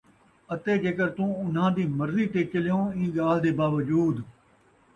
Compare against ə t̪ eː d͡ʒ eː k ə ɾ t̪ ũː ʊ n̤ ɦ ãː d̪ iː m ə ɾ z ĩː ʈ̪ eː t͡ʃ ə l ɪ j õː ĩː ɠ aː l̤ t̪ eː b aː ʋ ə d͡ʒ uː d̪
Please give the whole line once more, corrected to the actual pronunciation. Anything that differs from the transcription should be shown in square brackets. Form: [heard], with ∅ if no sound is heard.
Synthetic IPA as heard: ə t̪ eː d͡ʒ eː k ə ɾ t̪ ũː ʊ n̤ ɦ ãː d̪ iː m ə ɾ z [iː] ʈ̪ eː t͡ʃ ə l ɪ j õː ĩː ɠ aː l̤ [d̪] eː b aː ʋ ə d͡ʒ uː d̪